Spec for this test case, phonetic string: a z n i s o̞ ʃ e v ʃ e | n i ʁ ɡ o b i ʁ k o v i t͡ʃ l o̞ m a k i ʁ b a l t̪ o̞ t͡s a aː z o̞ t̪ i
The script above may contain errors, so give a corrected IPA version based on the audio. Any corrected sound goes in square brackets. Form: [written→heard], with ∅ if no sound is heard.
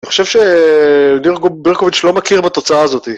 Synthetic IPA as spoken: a [z→∅] n i [s→χ] o̞ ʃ e v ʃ e | n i ʁ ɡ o b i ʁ k o v i t͡ʃ l o̞ m a k i ʁ b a [l→∅] t̪ o̞ t͡s a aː z o̞ t̪ i